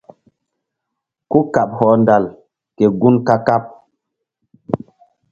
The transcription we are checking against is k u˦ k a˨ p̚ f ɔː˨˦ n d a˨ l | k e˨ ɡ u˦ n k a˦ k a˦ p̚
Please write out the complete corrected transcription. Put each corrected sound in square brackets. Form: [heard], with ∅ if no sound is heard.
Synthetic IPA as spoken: k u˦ k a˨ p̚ [h] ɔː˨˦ n d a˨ l | k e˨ ɡ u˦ n k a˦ k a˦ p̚